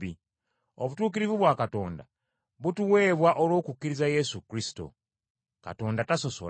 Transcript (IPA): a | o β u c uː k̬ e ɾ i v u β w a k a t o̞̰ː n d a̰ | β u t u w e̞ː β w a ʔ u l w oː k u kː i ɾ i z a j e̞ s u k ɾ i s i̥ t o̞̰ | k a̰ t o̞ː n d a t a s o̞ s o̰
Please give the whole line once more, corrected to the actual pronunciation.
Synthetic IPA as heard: i | o β u t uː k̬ i ɾ i v u β w a k a t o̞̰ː n d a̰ | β u t u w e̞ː β w a ʔ o l w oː k u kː i ɾ i z a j e̞ s u k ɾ i s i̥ t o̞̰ | k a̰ t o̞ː n d a t a s o̞ s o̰